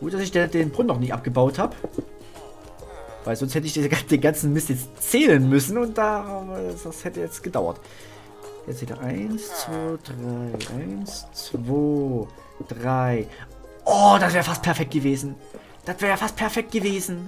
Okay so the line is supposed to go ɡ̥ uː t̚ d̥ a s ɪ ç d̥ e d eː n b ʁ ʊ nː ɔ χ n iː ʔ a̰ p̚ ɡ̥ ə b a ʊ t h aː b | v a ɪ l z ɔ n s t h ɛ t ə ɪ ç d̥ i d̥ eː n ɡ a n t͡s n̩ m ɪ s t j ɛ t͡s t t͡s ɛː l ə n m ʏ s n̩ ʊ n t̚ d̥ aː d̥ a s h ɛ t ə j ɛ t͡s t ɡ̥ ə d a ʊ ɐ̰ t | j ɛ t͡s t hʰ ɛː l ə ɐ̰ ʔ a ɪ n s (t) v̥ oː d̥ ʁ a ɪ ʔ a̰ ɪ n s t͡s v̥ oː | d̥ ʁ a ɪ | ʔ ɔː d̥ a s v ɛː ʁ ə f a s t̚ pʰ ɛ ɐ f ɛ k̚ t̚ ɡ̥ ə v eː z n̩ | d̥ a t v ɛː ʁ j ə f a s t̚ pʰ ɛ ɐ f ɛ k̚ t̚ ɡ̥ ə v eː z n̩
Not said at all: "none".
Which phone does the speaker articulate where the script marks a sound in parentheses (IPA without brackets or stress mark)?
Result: t͡s